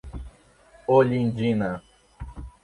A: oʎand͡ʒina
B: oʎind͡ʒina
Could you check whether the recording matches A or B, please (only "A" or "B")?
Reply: B